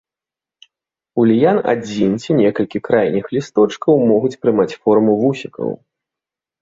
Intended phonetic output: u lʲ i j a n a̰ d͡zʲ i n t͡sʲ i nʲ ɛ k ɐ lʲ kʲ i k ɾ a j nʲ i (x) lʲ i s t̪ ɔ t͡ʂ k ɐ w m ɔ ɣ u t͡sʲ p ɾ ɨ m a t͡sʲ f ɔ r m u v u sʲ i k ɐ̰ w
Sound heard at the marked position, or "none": x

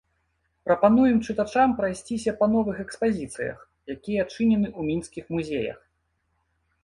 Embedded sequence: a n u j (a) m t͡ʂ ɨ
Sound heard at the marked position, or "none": ɛ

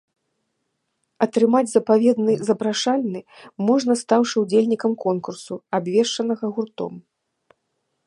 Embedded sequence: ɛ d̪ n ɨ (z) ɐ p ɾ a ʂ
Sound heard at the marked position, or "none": z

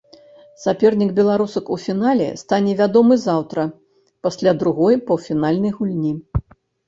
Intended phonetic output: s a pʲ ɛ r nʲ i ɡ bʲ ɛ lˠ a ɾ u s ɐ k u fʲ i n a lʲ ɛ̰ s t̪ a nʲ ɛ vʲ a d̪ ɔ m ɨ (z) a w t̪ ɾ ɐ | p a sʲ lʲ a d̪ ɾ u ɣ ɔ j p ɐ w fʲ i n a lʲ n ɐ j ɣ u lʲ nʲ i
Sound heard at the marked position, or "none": z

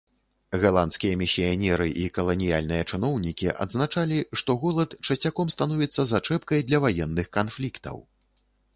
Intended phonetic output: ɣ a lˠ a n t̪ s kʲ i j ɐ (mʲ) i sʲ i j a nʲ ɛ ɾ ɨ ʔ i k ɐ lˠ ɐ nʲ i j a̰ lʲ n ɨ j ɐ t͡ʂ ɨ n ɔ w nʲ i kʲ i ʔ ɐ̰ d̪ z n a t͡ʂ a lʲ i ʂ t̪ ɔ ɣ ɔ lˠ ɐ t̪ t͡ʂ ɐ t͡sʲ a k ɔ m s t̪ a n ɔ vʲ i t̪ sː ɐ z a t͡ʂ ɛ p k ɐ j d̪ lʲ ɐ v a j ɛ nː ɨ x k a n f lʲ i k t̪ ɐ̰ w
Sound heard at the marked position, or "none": mʲ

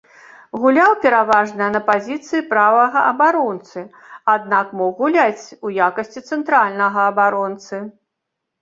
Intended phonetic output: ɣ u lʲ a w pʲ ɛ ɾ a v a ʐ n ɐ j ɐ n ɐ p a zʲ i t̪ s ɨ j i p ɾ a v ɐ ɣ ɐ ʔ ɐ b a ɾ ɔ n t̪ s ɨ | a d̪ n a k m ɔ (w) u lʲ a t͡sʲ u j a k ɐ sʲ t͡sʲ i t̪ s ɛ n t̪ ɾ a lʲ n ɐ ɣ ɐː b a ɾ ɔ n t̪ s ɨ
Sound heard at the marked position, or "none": ɣ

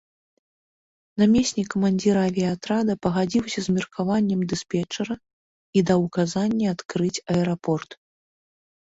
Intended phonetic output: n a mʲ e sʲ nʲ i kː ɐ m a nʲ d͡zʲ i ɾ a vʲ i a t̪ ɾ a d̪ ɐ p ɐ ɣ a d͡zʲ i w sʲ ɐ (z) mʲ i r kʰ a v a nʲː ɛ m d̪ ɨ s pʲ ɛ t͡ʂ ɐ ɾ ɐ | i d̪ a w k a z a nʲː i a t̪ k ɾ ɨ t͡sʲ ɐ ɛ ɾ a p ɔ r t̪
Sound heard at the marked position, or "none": z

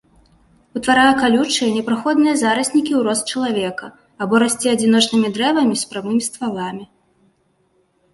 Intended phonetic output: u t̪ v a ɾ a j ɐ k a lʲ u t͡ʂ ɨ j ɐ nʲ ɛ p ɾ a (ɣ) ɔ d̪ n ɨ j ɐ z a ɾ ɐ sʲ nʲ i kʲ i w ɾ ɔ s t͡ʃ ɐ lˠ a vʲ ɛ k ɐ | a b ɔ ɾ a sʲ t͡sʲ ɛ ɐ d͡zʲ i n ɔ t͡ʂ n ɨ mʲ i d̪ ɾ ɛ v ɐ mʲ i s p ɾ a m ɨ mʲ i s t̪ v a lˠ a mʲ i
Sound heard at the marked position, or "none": x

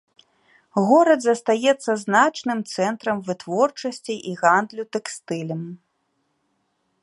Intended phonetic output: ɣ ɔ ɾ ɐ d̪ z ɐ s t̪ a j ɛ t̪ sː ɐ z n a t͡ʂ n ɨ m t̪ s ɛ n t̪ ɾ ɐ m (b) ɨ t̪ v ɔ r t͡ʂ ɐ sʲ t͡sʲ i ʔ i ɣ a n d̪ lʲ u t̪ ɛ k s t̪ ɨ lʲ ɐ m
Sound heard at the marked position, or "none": v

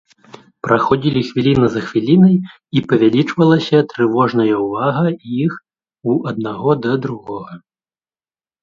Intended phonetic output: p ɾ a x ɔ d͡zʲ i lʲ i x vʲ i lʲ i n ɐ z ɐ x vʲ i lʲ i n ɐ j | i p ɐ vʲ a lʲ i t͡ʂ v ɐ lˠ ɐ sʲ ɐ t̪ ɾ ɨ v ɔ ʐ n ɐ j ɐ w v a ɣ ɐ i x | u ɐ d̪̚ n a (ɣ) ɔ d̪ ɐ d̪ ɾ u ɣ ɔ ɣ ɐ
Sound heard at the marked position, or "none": ɣ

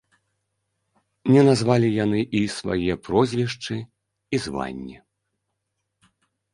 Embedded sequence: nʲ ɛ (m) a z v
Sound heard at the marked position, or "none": n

